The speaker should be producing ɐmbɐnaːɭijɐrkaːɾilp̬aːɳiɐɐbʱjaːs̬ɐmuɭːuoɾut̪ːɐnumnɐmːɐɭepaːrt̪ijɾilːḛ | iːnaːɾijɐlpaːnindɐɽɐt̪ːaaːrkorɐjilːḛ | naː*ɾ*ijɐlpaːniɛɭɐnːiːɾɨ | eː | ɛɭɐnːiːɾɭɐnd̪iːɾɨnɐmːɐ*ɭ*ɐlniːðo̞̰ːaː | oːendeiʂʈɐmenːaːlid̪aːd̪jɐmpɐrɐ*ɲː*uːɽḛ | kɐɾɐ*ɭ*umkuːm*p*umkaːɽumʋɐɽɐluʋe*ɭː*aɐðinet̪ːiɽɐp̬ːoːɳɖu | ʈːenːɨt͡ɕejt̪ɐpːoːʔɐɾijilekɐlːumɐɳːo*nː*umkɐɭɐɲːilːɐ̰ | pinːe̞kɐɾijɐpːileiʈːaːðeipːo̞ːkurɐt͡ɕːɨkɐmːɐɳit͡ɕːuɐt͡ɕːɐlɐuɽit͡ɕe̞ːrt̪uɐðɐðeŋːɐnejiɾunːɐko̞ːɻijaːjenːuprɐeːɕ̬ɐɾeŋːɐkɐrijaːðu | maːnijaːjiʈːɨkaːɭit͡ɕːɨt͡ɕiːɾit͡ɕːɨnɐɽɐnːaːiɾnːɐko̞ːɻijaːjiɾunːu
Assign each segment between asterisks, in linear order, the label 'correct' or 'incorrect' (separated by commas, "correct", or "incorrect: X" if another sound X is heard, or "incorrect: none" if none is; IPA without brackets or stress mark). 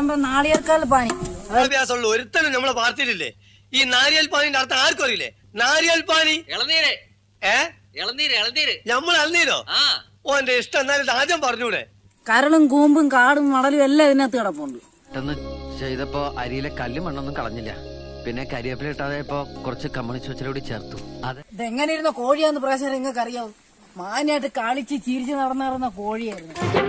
correct, correct, correct, correct, incorrect: b, incorrect: lː, correct